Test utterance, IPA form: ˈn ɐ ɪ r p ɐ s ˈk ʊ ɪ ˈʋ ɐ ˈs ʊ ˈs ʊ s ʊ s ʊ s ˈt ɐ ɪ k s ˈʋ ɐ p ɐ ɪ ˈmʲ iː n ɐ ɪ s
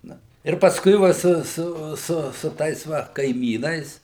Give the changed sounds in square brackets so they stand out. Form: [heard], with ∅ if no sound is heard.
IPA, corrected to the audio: ˈn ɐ ɪ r p ɐ s ˈk ʊ ɪ ˈʋ ɐ ˈs ʊ ˈs ʊ s ʊ s ʊ [∅] ˈt ɐ ɪ [∅] s ˈʋ ɐ [k] ɐ ɪ ˈmʲ iː n ɐ ɪ s